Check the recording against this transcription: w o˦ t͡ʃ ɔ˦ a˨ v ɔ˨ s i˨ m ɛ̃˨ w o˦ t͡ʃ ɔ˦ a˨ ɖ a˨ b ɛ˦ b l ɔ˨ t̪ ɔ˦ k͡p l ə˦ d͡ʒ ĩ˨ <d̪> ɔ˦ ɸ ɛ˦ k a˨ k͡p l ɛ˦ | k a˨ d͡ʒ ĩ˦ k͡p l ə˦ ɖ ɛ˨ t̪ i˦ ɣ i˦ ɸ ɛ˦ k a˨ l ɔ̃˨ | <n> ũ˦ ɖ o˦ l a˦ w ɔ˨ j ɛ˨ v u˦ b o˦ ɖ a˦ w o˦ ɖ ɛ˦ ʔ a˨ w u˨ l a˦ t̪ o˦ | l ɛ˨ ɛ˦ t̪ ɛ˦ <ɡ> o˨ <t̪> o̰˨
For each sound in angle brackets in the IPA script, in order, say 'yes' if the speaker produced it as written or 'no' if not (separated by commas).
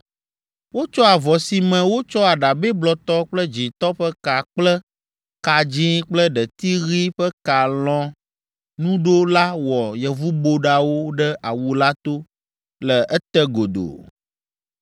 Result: no, yes, yes, no